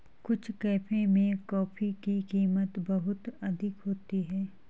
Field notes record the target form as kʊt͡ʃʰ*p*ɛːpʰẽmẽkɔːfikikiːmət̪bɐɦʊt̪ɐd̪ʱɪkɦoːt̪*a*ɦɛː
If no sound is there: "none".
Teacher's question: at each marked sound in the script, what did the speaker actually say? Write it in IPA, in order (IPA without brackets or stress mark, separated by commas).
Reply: k, i